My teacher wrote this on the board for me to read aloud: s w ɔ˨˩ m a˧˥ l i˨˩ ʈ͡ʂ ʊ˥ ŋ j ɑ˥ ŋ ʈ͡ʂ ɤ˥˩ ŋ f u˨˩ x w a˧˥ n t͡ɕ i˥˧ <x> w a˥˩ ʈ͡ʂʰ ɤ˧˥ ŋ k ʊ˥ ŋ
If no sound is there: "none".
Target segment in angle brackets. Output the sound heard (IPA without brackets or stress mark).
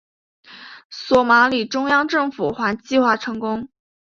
x